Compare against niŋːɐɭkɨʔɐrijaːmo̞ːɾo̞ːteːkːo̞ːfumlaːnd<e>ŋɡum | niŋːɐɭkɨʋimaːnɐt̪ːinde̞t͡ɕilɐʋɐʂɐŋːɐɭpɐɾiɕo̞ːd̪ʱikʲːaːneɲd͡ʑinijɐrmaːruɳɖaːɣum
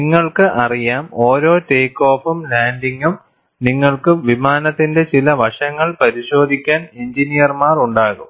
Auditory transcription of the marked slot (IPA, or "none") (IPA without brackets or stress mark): i